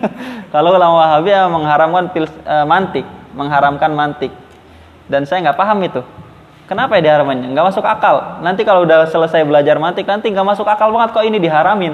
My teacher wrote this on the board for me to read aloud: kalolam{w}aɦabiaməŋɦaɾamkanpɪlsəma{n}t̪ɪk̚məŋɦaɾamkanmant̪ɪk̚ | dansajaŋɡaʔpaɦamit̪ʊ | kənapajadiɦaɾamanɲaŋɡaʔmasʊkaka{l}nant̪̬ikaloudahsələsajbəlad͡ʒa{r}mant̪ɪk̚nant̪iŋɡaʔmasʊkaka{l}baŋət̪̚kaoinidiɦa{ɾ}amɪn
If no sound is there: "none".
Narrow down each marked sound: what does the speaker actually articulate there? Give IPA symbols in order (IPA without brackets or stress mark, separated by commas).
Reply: w, n, l, r, l, ɾ